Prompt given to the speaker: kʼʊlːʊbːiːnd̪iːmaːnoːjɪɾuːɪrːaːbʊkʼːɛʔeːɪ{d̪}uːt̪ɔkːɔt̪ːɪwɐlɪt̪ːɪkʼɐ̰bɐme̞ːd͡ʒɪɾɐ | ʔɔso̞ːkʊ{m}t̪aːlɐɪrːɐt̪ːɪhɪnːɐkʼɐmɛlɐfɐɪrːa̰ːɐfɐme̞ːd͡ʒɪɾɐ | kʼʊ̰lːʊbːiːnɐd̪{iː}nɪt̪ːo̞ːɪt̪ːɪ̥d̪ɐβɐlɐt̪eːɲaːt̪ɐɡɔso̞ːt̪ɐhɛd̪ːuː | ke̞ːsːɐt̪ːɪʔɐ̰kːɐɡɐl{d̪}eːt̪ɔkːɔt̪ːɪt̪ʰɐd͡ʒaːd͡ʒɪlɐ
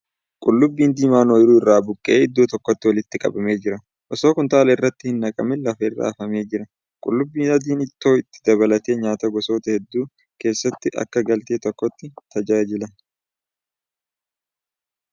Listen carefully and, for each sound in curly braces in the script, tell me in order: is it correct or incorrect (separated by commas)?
incorrect, incorrect, correct, incorrect